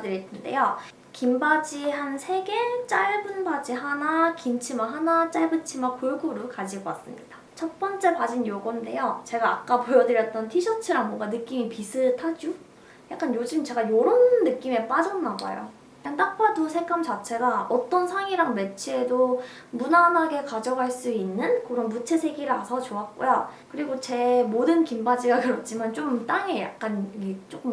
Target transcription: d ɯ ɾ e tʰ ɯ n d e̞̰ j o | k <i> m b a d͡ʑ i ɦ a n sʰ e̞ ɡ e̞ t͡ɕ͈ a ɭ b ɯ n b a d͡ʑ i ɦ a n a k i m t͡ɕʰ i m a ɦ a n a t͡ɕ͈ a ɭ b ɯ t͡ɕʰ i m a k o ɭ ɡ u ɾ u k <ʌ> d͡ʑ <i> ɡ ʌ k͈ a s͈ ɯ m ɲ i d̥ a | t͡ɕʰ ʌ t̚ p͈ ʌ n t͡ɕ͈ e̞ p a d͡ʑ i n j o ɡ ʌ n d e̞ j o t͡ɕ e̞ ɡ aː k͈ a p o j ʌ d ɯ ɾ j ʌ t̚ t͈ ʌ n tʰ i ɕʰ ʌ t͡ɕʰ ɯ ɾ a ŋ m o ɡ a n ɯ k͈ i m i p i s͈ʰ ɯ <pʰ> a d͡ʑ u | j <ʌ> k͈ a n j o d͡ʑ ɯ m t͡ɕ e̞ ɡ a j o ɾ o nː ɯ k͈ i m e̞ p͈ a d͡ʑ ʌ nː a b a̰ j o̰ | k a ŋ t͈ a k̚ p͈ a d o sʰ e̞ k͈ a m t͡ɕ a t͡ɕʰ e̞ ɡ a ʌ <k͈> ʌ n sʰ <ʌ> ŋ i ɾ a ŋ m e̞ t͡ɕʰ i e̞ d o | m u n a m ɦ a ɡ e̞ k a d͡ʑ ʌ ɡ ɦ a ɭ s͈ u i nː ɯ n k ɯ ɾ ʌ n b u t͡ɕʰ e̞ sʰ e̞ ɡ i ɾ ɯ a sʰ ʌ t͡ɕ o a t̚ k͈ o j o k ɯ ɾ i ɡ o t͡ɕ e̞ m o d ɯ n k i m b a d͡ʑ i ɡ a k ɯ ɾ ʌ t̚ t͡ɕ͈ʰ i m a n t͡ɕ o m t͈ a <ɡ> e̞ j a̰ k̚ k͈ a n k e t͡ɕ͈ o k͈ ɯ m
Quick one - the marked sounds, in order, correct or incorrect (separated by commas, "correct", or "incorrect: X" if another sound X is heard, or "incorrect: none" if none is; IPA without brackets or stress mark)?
correct, incorrect: a, correct, incorrect: tʰ, incorrect: a, incorrect: t͈, incorrect: a, incorrect: ŋ